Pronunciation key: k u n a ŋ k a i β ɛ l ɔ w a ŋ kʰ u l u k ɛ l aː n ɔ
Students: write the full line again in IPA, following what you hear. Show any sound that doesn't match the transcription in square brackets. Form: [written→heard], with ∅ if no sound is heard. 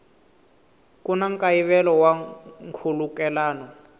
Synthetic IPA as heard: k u n a ŋ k a i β ɛ l ɔ w a ŋ kʰ u l u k ɛ l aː n ɔ